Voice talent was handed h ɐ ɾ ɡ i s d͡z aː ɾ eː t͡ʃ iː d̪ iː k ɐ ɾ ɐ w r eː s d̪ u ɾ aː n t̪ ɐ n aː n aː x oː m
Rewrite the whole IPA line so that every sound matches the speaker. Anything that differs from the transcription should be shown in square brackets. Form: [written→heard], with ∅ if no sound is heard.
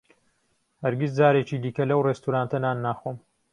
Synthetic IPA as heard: h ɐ ɾ ɡ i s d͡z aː ɾ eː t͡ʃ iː d̪ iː k ɐ [ɾ→l] ɐ w r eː s [d̪→t̪] u ɾ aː n t̪ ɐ n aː [n→nː] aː x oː m